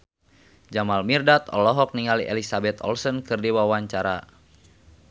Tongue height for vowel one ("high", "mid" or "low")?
low